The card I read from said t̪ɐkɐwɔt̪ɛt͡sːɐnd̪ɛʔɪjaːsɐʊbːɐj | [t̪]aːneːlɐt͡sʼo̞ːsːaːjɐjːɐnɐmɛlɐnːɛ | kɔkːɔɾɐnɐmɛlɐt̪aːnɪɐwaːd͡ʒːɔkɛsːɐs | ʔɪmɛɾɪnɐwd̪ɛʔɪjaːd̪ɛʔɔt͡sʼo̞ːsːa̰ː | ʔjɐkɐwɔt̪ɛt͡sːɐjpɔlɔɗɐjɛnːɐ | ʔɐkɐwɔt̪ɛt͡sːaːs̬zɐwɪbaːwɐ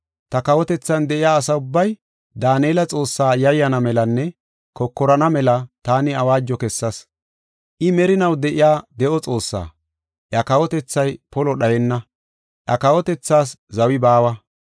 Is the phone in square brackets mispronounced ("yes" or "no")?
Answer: yes